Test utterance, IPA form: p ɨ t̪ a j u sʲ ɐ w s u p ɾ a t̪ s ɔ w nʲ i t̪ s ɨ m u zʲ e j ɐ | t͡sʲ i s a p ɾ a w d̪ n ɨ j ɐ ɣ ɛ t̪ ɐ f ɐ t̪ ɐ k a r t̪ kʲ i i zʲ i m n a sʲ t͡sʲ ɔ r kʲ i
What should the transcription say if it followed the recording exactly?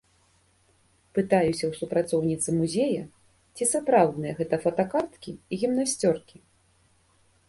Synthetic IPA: p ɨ t̪ a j u sʲ ɐ w s u p ɾ a t̪ s ɔ w nʲ i t̪ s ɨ m u zʲ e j ɐ | t͡sʲ i s a p ɾ a w d̪ n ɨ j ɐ ɣ ɛ t̪ ɐ f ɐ t̪ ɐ k a r t̪ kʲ i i ɣʲ i m n a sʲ t͡sʲ ɔ r kʲ i